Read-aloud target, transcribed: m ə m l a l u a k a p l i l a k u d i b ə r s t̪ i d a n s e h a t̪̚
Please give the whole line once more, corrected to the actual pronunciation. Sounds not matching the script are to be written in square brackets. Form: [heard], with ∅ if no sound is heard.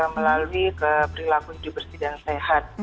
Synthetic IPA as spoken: m ə [∅] l a l u [i] k [ə] p [ɾ] i l a k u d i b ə r s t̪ i d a n s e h a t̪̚